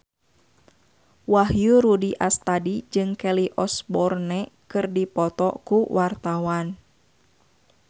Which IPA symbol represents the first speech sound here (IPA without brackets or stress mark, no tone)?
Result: w